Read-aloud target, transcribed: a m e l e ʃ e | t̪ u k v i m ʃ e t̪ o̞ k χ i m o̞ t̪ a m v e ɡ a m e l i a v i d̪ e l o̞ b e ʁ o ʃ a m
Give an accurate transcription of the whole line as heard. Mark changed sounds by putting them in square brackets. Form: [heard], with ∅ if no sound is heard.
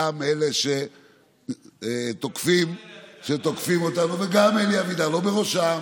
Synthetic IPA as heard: a m e l e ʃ e | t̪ [o] k [f] i m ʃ e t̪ o̞ k [f] i m o̞ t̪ a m v e ɡ a m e l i a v i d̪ [a] l o̞ b e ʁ o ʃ a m

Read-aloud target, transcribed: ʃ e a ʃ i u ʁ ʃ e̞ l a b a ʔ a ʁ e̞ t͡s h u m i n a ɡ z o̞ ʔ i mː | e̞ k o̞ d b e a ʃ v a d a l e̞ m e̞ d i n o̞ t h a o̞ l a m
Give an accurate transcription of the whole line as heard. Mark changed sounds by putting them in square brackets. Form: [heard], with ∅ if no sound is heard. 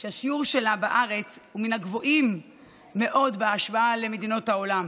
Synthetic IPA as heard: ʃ e a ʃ i u ʁ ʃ e̞ l a b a ʔ a ʁ e̞ t͡s h u m i n a ɡ [v] o̞ ʔ i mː | e̞ [ʔ] o̞ d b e a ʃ v a [∅] a l e̞ m e̞ d i n o̞ t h a o̞ l a m

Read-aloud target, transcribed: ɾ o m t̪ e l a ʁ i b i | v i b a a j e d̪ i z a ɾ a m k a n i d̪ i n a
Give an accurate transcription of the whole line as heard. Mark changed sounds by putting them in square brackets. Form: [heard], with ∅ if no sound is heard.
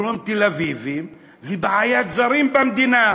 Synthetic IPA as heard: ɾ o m t̪ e l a [v] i [v] i | v i b a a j [a] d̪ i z a ɾ [i] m [p] a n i d̪ i n a

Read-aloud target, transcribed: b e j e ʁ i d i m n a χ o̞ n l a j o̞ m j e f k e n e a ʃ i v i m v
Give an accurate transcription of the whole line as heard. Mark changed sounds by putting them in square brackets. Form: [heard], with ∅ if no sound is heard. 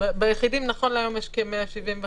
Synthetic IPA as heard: b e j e [χ] i d i m n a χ o̞ n l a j o̞ m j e [ʃ] k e [m] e a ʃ i v i m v

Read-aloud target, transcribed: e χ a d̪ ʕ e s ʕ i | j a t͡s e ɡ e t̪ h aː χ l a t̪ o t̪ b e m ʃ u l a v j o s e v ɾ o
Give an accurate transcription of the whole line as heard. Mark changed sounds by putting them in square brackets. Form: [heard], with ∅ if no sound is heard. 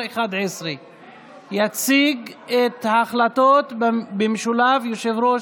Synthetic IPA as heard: e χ a d̪ ʕ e s [ʁ] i | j a t͡s [i] ɡ e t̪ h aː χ l a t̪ o t̪ b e m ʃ u l a v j o [ʃ] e v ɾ o

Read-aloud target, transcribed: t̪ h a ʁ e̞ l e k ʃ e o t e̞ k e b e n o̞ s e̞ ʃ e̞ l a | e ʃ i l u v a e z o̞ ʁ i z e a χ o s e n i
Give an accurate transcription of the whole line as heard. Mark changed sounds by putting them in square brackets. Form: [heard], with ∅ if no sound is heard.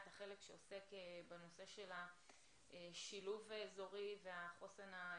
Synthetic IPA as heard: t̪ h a [χ] e̞ l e k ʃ e o [s] e̞ k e b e n o̞ s e̞ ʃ e̞ l a | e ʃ i l u v a e z o̞ ʁ i [v] e a χ o s e n [a]

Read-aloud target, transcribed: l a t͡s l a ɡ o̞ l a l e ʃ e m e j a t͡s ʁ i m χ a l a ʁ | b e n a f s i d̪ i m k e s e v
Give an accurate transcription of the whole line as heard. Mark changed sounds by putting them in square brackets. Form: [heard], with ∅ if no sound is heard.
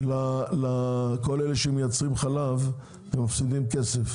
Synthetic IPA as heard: l a [∅] l a [k] o̞ l [e] l e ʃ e m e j a t͡s ʁ i m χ a l a [v] | [v] e [m] a f s i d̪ i m k e s e [f]

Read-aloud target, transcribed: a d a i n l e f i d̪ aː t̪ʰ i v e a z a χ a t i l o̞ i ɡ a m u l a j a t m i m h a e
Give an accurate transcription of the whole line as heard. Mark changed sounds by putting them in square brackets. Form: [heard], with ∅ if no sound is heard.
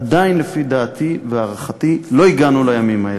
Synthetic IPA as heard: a d a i n l e f i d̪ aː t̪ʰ i v e a [ʁ] a χ a t i l o̞ i ɡ a [n] u l a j a [∅] m i m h a e

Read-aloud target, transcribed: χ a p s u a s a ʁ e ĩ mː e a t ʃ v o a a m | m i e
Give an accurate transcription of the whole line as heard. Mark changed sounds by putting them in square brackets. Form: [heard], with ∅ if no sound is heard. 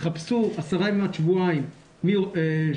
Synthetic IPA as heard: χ a p s u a s a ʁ [a] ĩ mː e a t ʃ v [u] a [i] m | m i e

